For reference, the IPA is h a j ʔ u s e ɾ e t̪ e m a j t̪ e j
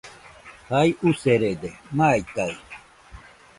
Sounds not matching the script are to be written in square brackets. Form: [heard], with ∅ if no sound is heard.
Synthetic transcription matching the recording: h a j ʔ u s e ɾ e [d̪] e m a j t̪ [a] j